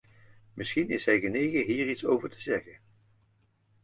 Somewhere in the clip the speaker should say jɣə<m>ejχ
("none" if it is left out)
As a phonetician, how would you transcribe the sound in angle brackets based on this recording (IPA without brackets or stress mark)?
n